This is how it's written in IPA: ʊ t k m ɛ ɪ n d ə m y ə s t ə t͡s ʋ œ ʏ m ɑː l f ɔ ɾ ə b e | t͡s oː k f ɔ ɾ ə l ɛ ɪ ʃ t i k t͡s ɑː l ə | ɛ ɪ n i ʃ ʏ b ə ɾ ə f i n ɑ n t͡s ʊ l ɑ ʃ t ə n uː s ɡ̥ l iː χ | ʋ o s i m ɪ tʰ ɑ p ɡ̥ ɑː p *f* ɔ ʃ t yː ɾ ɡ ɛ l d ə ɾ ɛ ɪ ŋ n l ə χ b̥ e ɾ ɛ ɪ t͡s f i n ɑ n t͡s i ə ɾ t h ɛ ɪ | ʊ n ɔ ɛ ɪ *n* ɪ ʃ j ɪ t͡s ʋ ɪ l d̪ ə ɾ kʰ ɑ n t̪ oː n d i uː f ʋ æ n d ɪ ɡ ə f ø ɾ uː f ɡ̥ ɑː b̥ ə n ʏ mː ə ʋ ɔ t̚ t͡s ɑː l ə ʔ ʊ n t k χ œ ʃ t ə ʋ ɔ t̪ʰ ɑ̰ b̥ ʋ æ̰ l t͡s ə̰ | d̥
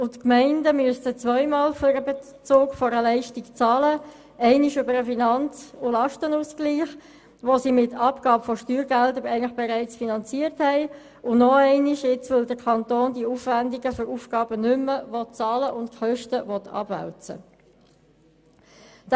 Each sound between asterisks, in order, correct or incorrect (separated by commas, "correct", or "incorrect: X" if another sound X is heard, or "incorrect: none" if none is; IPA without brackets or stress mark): correct, correct